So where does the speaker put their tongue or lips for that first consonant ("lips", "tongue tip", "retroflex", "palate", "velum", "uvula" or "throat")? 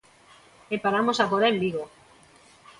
lips